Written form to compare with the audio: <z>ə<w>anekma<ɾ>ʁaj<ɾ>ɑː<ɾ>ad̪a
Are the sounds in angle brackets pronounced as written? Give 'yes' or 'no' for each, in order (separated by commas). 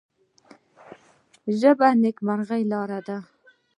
no, no, yes, no, yes